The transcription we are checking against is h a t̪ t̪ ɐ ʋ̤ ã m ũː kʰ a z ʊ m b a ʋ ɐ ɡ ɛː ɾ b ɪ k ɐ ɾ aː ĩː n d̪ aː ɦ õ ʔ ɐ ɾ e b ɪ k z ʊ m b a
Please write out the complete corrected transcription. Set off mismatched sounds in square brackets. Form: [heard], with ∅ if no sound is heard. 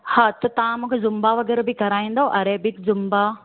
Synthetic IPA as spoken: h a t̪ t̪ ɐ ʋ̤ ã m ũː kʰ [e] z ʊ m b a ʋ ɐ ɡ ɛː ɾ b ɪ k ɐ ɾ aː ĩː n d̪ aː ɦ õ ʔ ɐ ɾ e b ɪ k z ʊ m b a